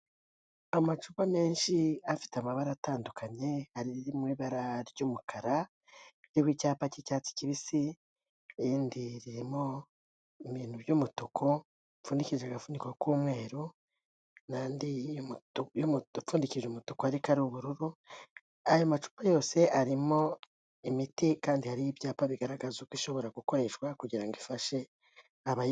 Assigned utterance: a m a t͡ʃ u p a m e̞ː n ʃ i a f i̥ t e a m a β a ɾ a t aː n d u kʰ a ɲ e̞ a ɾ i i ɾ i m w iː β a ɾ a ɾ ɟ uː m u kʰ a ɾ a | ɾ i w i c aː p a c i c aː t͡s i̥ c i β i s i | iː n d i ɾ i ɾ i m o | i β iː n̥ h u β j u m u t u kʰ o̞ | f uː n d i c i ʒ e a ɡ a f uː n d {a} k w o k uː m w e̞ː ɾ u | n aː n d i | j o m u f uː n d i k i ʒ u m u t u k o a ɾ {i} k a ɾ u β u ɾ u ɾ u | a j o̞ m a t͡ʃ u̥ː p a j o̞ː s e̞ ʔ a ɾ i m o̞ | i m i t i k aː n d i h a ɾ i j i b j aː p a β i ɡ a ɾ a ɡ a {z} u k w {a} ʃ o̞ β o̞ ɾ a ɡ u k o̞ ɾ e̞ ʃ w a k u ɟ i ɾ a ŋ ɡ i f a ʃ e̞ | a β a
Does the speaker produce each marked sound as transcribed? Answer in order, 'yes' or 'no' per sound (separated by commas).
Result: no, yes, yes, no